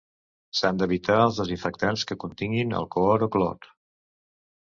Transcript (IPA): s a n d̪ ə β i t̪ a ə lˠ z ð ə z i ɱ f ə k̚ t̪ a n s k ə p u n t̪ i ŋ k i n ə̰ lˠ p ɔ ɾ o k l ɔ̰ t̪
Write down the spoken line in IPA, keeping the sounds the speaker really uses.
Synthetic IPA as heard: s a n d̪ ə β i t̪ a ə lˠ z ð ə z i ɱ f ə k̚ t̪ a n s k ə k u n t̪ i ŋ ɡ i n ə̰ lˠ k ɔ ɾ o k l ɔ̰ t̪

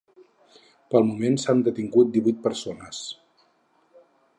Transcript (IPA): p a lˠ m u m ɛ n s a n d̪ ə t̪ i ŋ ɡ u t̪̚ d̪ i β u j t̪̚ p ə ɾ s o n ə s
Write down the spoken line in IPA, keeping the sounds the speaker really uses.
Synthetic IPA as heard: p ə lˠ m u m e n s a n d̪ ə t̪ i ŋ ɡ u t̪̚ d̪ i β u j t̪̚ p ə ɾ s o n ə s

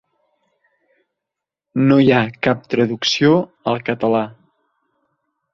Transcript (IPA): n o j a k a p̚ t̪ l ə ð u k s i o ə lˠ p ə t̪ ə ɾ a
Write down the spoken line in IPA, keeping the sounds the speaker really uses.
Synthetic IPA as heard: n o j a k a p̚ t̪ ɾ ə ð u k s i o ə lˠ k ə t̪ ə l a

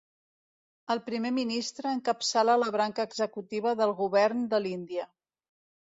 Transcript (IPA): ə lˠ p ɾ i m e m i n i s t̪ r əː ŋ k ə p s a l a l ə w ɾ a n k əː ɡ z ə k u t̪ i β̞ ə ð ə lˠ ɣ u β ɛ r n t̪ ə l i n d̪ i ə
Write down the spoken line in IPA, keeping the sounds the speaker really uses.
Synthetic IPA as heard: ə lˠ p ɾ i m e m i n i s t̪ ɾ əː ŋ k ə p s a l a l ə β ɾ a ŋ k əː ɡ z ə k u t̪ i β̞ ə ð ə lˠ ɣ u β ɛ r n d̪ ə l i n d̪ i ə

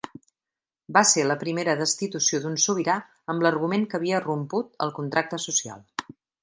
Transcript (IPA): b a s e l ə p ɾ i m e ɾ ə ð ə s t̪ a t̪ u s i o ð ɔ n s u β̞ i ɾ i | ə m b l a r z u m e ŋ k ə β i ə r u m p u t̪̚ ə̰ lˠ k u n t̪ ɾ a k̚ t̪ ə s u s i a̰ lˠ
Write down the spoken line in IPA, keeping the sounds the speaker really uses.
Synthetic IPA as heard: b a s e l ə p ɾ i m e ɾ ə ð ə s t̪ i t̪ u s i o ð u n s u β̞ i ɾ a | ə m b l ə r ɣ u m e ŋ k ə β i ə r u m p u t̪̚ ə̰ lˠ k u n t̪ ɾ a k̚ t̪ ə s u s i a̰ lˠ

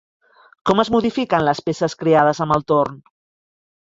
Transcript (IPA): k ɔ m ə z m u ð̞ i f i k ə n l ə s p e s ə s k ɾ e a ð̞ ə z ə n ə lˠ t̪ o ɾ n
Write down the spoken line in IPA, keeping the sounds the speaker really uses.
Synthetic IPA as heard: k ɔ m ə z m u ð̞ i f i k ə n l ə s p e s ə s k ɾ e a ð̞ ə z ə m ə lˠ t̪ o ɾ n

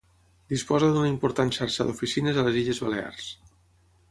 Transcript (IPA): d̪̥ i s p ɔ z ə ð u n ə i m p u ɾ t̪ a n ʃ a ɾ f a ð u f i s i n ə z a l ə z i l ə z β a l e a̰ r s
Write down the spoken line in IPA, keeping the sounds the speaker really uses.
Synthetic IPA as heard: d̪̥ i s p ɔ z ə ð u n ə i m p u ɾ t̪ a n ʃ a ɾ ʃ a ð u f i s i n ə z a l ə z i ʎ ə z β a l e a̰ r s

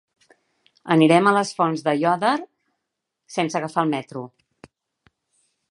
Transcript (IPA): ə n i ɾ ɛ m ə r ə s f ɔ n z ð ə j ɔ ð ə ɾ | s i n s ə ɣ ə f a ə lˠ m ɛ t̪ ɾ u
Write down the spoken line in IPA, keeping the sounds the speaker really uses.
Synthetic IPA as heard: ə n i ɾ ɛ m ə l ə s f ɔ n z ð ə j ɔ ð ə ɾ | s e n s ə ɣ ə f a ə lˠ m ɛ t̪ ɾ u

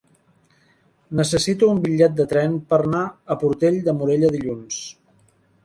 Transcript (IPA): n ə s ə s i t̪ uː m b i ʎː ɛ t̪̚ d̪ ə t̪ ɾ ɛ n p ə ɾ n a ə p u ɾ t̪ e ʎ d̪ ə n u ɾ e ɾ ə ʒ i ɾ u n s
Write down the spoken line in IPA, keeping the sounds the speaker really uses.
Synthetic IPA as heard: n ə s ə s i t̪ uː m b i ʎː ɛ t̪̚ d̪ ə t̪ ɾ ɛ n p ə ɾ n a ə p u ɾ t̪ e ʎ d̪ ə m u ɾ e ʎ ə ð i ʎ u n s

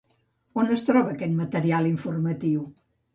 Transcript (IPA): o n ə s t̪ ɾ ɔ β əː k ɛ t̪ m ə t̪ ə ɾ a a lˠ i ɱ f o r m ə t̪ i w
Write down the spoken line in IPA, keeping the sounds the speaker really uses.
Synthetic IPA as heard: o n ə s t̪ ɾ ɔ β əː k ɛ t̪ m ə t̪ ə ɾ i a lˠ i ɱ f u r m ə t̪ i w

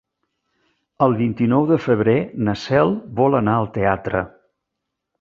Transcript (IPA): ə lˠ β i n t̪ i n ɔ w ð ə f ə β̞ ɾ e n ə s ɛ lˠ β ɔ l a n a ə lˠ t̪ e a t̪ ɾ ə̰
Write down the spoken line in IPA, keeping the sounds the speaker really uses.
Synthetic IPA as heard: ə lˠ β i n t̪ i n ɔ w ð ə f ə β̞ ɾ e n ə s ɛ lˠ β ɔ l ə n a ə lˠ t̪ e a t̪ ɾ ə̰

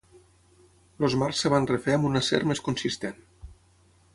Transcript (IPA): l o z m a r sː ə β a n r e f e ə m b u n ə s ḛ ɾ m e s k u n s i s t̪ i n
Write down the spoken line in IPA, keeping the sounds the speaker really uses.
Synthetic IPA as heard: l o z m a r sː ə β a n r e f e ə m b u n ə s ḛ ɾ m e s k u n s i s t̪ e n

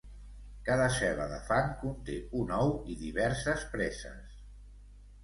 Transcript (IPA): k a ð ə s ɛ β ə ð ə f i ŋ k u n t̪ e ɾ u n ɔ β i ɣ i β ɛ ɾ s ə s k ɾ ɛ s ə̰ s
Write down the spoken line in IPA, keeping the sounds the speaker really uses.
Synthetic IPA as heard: k a ð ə s ɛ β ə ð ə f a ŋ k u n t̪ e u n ɔ w i ð i β ɛ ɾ s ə s p ɾ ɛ s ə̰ s

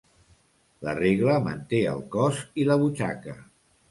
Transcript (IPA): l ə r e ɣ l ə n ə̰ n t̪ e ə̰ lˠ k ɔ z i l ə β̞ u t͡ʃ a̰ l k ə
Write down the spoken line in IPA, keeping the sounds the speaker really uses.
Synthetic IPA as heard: l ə r e ɣ l ə m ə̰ n t̪ e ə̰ lˠ k ɔ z i l ə β̞ u t͡ʃ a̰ k ə

